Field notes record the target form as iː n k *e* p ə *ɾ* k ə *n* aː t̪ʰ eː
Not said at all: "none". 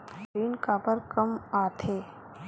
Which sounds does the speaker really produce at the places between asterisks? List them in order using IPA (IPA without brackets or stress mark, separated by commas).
a, ɾ, m